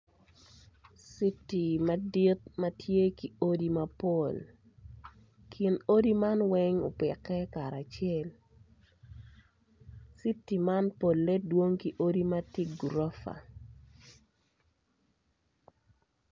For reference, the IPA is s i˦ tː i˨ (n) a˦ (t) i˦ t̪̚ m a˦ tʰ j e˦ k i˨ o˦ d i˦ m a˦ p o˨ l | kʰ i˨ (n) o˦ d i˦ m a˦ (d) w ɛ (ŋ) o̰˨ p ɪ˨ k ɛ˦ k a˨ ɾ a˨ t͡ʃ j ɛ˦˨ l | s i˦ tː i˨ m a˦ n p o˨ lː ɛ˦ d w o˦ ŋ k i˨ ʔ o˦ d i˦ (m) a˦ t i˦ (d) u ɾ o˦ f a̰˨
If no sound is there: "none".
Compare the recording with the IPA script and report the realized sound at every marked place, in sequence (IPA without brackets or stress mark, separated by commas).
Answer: m, d, n, n, ŋ, m, ɡ